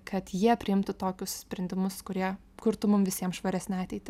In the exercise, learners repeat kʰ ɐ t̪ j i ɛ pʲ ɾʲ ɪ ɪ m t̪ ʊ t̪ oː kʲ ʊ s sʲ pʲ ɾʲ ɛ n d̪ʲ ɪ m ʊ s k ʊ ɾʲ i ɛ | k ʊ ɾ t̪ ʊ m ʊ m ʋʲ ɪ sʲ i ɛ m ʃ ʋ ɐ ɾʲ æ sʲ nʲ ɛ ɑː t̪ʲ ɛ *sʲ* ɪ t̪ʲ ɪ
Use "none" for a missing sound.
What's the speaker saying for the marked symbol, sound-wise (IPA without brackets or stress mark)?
none